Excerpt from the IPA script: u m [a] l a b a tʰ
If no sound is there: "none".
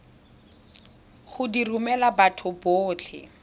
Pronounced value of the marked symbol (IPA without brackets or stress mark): ɛ